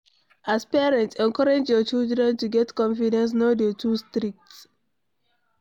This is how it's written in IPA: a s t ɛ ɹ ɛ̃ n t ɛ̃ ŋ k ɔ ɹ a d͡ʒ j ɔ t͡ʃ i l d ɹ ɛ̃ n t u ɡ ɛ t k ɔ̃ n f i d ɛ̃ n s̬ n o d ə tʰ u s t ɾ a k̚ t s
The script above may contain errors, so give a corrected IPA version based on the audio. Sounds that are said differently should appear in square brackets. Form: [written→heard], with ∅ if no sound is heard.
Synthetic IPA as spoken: a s [t→p] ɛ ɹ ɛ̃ n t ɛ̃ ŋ k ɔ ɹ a d͡ʒ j ɔ t͡ʃ i l d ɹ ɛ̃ n t u ɡ ɛ t k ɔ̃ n f i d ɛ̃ n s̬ n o d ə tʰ u s t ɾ [a→i] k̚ t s